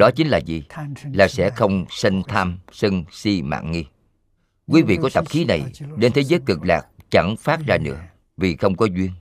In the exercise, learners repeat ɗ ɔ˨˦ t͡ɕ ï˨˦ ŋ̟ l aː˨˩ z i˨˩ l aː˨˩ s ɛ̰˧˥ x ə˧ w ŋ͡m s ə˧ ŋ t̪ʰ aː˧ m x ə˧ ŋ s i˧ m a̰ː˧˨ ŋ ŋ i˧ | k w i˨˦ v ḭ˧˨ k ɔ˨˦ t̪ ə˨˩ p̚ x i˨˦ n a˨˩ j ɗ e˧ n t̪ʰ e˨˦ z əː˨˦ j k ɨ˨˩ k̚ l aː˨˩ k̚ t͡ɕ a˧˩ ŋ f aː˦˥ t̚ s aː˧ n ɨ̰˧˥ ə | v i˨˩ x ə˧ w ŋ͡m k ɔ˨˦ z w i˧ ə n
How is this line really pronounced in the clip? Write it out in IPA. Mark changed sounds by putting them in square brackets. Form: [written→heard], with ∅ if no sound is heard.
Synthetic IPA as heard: ɗ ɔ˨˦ t͡ɕ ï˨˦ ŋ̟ l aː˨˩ z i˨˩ l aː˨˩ s ɛ̰˧˥ x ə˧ w ŋ͡m s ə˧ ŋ t̪ʰ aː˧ m [x→s] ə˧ ŋ s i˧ m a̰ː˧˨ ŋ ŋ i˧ | k w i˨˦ v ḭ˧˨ k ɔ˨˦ t̪ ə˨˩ p̚ x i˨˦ n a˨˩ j ɗ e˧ n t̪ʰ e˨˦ z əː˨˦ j k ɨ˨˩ k̚ l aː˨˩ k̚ t͡ɕ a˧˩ ŋ f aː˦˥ t̚ [s→z] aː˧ n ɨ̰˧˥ ə | v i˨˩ x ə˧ w ŋ͡m k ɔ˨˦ z w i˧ ə n